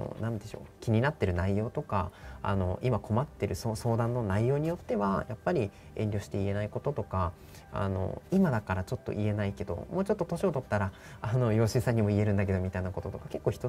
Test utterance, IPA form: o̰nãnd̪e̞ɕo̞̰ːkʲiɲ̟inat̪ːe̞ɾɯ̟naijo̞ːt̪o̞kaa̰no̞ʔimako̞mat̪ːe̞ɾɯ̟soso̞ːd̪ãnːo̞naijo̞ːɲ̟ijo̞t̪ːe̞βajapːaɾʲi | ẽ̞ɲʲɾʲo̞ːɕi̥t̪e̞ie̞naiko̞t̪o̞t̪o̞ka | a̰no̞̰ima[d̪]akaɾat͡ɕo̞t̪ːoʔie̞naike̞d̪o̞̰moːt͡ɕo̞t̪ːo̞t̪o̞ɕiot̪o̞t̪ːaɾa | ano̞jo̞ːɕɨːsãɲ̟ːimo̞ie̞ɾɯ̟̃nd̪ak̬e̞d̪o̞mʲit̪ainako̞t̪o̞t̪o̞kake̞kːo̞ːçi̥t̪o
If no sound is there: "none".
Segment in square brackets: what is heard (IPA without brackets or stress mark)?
d̪